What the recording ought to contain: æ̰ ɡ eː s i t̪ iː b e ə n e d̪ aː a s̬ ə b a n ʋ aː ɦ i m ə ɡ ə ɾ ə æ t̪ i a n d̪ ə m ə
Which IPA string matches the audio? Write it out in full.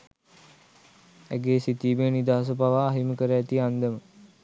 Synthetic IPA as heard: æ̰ ɡ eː s i t̪ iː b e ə n i d̪ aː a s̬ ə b a ʋ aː ɦ i m ə k ə ɾ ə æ t̪ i a n d̪ ə m ə